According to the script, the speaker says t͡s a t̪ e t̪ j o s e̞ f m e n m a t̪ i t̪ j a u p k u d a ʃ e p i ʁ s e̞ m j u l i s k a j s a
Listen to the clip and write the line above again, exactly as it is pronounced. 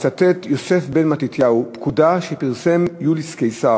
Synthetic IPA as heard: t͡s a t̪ e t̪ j o s e̞ f b e n m a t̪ i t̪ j a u p k u d a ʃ e p i ʁ s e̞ m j u l i s k e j s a